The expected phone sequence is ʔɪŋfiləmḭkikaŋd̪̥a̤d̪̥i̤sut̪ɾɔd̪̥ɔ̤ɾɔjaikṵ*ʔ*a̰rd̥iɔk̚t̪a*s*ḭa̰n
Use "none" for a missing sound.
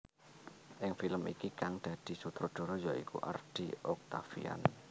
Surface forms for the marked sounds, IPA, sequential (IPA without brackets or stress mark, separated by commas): ʔ, f